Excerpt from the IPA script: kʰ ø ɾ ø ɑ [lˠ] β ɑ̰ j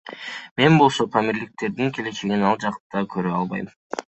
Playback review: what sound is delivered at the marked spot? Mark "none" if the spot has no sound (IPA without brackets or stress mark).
lˠ